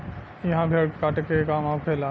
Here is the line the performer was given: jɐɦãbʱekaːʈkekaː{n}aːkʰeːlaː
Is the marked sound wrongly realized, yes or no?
yes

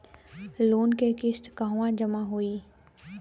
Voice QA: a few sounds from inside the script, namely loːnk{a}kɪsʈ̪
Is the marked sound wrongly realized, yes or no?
yes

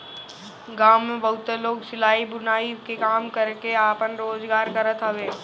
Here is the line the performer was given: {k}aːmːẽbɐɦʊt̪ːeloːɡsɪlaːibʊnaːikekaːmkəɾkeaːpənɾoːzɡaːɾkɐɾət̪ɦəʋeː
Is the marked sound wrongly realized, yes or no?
yes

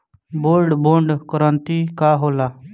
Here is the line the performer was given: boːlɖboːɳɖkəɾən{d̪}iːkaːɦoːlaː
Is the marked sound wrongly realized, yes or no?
yes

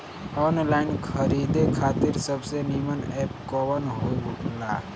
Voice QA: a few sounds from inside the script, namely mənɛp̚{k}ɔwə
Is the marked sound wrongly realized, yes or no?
no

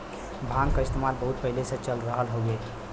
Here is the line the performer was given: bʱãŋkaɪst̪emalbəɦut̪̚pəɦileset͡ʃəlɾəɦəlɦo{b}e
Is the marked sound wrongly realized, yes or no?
yes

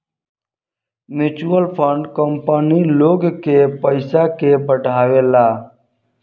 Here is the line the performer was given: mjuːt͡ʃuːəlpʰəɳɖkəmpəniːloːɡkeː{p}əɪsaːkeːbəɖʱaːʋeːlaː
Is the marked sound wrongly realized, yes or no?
no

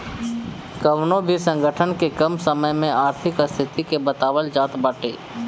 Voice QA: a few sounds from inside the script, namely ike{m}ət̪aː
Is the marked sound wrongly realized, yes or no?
yes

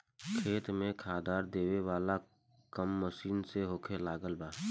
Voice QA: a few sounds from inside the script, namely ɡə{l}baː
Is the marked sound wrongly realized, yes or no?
no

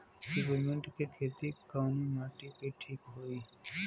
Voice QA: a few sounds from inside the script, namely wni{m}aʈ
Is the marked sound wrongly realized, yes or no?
no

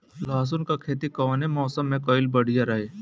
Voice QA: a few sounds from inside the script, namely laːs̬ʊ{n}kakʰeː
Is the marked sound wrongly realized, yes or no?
no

